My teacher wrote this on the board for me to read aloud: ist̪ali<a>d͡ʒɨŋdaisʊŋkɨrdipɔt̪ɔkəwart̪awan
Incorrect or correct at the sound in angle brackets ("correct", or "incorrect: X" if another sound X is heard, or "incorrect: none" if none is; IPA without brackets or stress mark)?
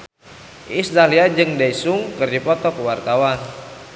correct